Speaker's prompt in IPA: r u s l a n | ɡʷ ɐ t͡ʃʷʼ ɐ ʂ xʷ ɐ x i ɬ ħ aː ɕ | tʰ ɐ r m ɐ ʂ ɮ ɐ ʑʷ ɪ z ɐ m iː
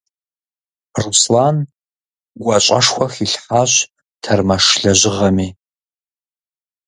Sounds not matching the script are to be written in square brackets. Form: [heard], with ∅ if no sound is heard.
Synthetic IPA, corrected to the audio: r u s l a n | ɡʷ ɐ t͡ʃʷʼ ɐ ʂ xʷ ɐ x i ɬ ħ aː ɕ | tʰ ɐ r m ɐ ʂ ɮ ɐ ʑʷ ɪ [ʁ] ɐ m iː